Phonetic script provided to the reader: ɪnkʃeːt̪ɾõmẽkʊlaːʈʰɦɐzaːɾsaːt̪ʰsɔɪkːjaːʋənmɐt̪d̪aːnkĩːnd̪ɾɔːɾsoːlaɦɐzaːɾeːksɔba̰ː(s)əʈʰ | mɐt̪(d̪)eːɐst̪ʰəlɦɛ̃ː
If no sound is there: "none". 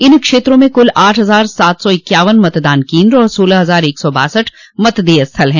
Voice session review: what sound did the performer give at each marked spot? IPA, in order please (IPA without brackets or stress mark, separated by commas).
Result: s, d̪